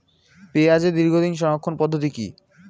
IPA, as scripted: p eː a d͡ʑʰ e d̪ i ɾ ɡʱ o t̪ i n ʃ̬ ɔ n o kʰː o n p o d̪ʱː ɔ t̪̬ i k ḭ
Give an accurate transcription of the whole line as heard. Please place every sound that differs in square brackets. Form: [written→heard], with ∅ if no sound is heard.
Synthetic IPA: p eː a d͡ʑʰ e d̪ i ɾ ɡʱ o [t̪→d̪] i n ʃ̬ ɔ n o kʰː o n p [o→ɔ] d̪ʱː [ɔ→o] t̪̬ i k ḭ